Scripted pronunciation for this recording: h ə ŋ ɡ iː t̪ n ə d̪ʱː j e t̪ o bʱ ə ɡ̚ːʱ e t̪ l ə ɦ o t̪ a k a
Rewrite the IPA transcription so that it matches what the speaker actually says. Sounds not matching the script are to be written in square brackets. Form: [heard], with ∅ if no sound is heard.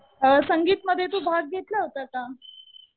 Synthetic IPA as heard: [s] ə ŋ ɡ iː t̪ [m] ə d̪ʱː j e t̪ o bʱ [a] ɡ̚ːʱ e t̪ l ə ɦ o t̪ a k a